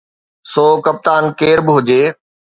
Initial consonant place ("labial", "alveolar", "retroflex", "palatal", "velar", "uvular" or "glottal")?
alveolar